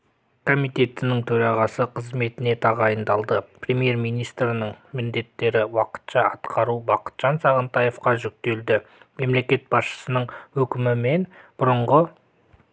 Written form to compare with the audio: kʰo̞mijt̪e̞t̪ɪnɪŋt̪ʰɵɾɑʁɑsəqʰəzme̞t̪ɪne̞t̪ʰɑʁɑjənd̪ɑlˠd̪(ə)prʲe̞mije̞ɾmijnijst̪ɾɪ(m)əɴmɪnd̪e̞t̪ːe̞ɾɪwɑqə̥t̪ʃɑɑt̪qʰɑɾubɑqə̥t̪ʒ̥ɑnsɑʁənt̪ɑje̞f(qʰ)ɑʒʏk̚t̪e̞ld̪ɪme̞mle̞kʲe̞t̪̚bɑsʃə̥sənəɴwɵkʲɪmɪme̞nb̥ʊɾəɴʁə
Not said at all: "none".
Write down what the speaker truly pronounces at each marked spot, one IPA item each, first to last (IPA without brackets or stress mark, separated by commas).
ə, n, q